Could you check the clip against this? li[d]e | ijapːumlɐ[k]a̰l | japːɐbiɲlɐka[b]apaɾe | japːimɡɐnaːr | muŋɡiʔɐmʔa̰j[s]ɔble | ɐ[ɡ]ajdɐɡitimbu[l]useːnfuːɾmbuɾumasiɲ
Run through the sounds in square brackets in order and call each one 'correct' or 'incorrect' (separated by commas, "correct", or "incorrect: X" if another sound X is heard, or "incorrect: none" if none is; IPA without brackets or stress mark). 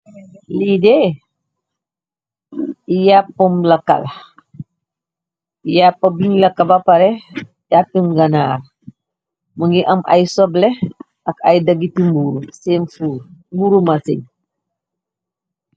correct, correct, correct, correct, incorrect: k, incorrect: ɾ